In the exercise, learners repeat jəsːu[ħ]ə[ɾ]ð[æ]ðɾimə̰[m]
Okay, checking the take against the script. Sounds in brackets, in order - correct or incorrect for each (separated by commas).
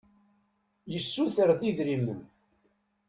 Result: incorrect, correct, incorrect, incorrect